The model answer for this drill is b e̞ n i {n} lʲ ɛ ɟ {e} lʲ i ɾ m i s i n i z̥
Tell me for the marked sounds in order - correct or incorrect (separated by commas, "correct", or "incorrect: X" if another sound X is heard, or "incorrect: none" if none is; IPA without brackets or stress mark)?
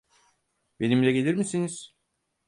incorrect: m, correct